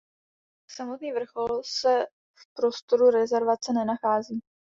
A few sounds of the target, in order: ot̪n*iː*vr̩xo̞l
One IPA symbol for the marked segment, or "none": iː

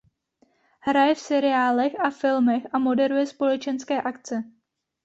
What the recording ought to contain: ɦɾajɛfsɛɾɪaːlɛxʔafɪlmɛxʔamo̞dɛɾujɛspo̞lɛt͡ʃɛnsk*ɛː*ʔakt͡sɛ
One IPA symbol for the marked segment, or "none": ɛː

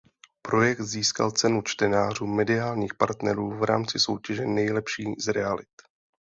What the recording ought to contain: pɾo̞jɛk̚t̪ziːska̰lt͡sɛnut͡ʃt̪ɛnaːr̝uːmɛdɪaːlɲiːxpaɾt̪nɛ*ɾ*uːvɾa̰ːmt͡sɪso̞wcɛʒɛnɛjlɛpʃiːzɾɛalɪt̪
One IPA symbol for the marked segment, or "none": ɾ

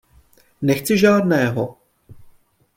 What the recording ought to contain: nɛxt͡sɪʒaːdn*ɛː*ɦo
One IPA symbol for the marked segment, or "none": ɛː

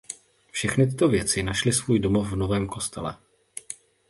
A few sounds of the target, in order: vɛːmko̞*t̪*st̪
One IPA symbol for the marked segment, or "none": none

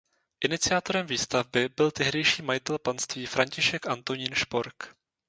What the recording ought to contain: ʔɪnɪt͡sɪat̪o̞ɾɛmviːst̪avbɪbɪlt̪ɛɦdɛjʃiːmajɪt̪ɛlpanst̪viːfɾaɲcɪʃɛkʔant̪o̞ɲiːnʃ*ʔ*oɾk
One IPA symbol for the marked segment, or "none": p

